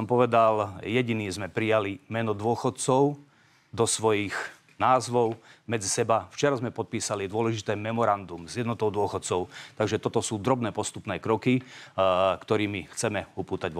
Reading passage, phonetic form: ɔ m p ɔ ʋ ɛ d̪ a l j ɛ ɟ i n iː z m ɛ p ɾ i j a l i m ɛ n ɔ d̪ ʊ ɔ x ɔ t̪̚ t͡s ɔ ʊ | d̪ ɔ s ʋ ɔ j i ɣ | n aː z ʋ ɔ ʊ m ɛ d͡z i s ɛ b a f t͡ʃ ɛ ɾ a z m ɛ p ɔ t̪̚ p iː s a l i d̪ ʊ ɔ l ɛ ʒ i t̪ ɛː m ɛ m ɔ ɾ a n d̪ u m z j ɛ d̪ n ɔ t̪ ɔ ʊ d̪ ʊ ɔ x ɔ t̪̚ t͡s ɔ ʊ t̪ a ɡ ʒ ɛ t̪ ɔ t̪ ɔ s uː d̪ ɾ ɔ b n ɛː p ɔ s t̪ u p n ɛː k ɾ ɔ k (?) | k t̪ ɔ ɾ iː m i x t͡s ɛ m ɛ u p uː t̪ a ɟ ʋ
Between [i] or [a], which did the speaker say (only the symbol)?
i